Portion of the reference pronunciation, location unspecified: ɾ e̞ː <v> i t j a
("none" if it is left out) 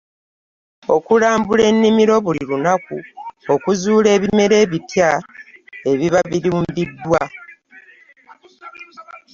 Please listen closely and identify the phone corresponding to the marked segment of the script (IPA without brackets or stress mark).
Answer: β